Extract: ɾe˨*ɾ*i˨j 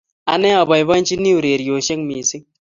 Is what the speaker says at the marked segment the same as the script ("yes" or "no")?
yes